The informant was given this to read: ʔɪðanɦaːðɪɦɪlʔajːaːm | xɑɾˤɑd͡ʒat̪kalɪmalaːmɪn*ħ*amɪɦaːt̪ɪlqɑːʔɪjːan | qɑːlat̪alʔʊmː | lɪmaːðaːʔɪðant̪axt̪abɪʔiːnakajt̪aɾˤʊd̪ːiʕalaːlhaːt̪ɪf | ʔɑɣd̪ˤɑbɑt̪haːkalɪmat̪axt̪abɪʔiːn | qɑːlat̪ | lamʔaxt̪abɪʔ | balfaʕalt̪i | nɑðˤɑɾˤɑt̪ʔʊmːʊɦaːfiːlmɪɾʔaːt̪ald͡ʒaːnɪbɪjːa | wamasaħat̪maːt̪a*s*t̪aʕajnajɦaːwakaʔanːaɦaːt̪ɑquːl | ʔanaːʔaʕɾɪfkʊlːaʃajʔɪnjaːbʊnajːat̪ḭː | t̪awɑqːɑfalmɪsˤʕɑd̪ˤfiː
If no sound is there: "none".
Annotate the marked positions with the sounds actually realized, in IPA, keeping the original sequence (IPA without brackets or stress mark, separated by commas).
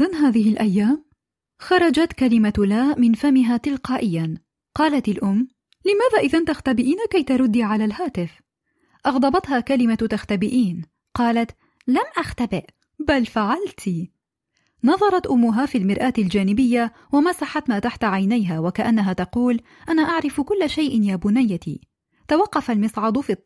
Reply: f, ħ